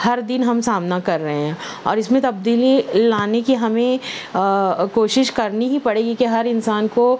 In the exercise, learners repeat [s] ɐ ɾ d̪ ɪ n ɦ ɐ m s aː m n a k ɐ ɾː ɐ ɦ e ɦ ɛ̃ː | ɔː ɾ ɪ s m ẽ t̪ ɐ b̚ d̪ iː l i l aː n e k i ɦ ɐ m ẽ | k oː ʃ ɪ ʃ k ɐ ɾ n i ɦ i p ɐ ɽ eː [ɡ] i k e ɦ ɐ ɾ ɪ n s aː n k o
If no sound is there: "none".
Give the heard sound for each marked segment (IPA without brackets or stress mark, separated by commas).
h, ɡ